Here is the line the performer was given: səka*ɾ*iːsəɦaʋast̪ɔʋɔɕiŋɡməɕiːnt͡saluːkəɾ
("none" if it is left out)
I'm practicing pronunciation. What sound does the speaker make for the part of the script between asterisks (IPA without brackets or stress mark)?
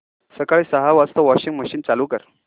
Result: ɭ